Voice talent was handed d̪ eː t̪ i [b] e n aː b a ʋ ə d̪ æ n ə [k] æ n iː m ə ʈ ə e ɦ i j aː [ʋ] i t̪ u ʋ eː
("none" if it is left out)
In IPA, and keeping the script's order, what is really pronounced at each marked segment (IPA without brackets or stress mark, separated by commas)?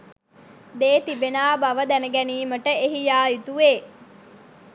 b, ɡ, none